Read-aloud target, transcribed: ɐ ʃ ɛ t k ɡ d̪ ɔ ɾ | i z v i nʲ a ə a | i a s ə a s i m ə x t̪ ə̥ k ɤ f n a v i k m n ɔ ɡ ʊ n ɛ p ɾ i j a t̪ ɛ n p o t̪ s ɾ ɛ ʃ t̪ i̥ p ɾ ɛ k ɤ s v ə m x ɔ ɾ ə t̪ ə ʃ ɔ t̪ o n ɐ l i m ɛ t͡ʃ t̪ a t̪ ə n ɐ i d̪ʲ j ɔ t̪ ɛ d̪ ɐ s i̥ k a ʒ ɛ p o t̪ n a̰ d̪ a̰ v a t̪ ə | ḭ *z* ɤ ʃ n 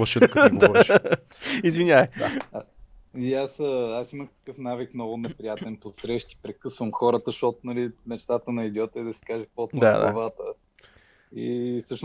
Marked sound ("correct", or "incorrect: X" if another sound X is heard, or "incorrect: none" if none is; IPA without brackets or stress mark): incorrect: s